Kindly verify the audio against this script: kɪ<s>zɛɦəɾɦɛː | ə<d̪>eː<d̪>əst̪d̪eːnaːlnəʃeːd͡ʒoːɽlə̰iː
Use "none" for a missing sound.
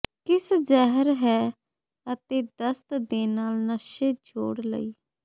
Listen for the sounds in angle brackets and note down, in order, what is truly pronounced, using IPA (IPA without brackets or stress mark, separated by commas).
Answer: s, t̪, d̪